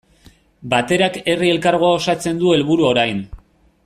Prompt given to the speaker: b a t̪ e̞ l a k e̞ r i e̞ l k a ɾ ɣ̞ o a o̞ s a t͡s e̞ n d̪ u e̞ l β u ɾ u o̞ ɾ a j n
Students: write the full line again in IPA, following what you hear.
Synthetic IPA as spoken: b a t̪ e̞ ɾ a k e̞ r i e̞ l k a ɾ ɣ̞ o a o̞ s a t͡s e̞ n d̪ u e̞ l β u ɾ u o̞ ɾ a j n